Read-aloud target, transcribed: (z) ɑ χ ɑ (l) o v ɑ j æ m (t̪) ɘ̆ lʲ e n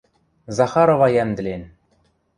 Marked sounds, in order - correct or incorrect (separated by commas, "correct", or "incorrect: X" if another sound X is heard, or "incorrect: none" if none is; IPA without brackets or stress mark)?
correct, incorrect: ɾ, incorrect: d̪